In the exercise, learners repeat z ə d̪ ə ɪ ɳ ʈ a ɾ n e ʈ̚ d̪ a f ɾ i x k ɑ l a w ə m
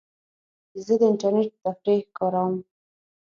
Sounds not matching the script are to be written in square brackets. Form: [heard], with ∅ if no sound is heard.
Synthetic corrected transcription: z ə d̪ ə ɪ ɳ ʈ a ɾ n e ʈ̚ [t̪] a f ɾ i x k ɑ [ɾ] a w ə m